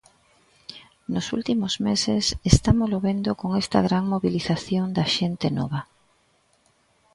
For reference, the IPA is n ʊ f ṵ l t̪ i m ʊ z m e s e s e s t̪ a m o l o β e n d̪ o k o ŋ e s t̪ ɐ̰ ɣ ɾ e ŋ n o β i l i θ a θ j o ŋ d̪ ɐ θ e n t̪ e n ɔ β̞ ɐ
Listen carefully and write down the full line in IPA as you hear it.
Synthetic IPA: n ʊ s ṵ l t̪ i m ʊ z m e s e s e s t̪ a m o l o β e n d̪ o k o ŋ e s t̪ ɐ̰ ɣ ɾ a ŋ m o β i l i θ a θ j o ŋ d̪ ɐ ʃ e n t̪ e n ɔ β̞ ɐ

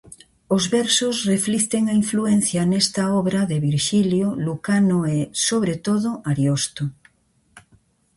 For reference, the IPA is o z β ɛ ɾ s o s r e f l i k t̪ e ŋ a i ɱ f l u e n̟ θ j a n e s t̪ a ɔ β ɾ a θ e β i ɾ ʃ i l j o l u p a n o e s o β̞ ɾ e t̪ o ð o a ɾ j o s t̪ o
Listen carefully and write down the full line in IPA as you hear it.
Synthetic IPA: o z β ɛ ɾ s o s r e f l i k t̪ e ŋ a i ɱ f l u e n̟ θ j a n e s t̪ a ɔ β ɾ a ð e β i ɾ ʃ i l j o l u k a n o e s o β̞ ɾ e t̪ o ð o a ɾ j o s t̪ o

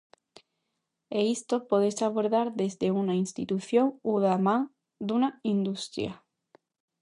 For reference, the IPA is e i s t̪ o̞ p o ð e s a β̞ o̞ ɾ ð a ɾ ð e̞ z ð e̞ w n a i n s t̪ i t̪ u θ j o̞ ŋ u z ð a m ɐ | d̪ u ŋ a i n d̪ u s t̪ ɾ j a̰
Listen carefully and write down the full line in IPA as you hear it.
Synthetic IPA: e i s t̪ o̞ p o ð e s a β̞ o̞ ɾ ð a ɾ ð e̞ z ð e̞ u n a i n s t̪ i t̪ u θ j o̞ ŋ u ð a m a | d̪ u n a i n d̪ u s t̪ ɾ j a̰

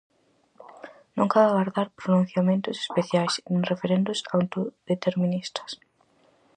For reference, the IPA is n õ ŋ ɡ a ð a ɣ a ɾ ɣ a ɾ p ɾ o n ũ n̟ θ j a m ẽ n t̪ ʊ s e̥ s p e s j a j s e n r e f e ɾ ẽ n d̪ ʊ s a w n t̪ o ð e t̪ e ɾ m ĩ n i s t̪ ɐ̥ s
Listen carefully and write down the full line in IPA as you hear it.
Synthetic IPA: n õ ŋ k a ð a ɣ a ɾ ð a ɾ p ɾ o n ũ n̟ θ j a m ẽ n t̪ ʊ s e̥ s p e θ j a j s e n r e f e ɾ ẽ n d̪ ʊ s a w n t̪ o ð e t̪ e ɾ m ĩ n i s t̪ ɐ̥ s

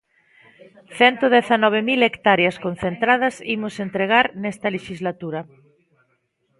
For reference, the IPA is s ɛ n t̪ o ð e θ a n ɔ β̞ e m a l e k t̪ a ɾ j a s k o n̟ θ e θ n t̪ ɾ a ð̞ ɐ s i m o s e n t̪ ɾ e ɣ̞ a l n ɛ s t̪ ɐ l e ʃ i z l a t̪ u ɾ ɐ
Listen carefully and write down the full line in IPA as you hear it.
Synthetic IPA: θ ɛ n t̪ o ð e θ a n ɔ β̞ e m i l e k t̪ a ɾ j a s k o n̟ θ e n t̪ ɾ a ð̞ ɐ s i m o s e n t̪ ɾ e ɣ̞ a ɾ n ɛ s t̪ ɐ l e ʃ i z l a t̪ u ɾ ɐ

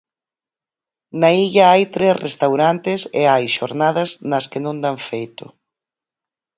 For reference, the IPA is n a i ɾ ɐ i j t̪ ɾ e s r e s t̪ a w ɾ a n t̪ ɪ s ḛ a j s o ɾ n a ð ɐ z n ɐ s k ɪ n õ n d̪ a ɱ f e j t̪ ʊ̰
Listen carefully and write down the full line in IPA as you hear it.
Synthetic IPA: n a i ʎ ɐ a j t̪ ɾ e s r e s t̪ a w ɾ a n t̪ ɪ s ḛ a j ʃ o ɾ n a ð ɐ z n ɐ s k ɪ n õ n d̪ a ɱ f e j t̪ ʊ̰

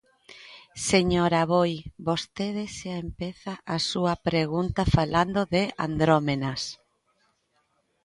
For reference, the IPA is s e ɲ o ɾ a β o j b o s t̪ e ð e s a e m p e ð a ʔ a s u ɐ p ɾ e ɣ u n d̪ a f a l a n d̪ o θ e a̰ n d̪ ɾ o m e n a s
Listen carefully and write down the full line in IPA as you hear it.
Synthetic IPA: s e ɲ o ɾ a β o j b o s t̪ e ð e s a e m p e θ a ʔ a s u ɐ p ɾ e ɣ u n t̪ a f a l a n d̪ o ð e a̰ n d̪ ɾ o m e n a s

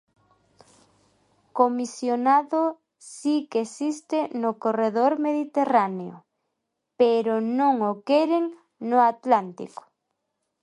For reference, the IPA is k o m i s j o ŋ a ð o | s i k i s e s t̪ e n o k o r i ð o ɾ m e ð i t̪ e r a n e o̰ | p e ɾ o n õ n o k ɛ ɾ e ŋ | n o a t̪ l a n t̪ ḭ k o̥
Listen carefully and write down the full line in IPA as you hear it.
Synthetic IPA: k o m i s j o n a ð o | s i k e s i s t̪ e n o k o r e ð o ɾ m e ð i t̪ e r a n e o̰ | p e ɾ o n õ ŋ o k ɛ ɾ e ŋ | n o a t̪ l a n t̪ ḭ k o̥

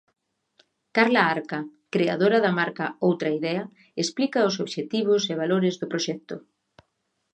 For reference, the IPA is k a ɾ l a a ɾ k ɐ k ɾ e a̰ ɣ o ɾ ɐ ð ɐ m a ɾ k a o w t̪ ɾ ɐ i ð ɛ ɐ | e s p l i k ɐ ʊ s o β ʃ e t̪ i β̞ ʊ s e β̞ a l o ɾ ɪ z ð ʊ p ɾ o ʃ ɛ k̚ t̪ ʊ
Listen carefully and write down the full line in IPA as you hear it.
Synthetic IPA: k a ɾ l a a ɾ k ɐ k ɾ e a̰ ð o ɾ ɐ ð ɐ m a ɾ k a o w t̪ ɾ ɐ i ð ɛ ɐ | e s p l i k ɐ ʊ s o β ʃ e t̪ i β̞ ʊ s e β̞ a l o ɾ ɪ z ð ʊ p ɾ o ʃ ɛ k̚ t̪ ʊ

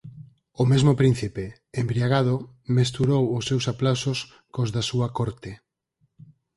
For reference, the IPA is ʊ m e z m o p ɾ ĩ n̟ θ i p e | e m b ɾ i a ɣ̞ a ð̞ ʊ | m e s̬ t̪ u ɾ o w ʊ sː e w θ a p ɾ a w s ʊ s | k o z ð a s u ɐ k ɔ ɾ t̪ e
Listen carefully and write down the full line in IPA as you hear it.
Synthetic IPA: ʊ m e z m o p ɾ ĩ n̟ θ i p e | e m b ɾ i a ɣ̞ a ð̞ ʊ | m e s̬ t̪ u ɾ o w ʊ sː e w s a p l a w s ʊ s | k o z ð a s u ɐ k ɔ ɾ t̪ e

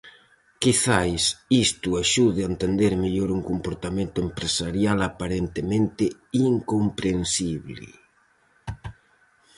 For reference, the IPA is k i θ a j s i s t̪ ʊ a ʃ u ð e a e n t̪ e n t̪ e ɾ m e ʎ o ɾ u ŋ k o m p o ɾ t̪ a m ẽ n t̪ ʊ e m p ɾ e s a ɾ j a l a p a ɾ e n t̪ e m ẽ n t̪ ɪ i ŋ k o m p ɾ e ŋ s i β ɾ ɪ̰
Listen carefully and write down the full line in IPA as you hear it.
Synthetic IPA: k i θ a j s i s t̪ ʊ a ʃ u ð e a e n t̪ e n d̪ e ɾ m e ʎ o ɾ u ŋ k o m p o ɾ t̪ a m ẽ n t̪ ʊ e m p ɾ e s a ɾ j a l a p a ɾ e n t̪ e m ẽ n t̪ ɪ i ŋ k o m p ɾ e n s i β l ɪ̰

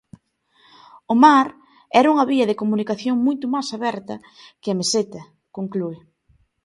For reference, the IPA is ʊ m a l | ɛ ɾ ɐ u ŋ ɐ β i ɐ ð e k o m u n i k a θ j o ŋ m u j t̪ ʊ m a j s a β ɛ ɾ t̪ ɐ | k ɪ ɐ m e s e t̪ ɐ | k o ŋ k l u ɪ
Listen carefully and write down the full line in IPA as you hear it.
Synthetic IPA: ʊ m a ɾ | ɛ ɾ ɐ u ŋ ɐ β i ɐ ð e k o m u n i k a θ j o ŋ m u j t̪ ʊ m a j s a β ɛ ɾ t̪ ɐ | k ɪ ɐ m e s e t̪ ɐ | k o ŋ k l u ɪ

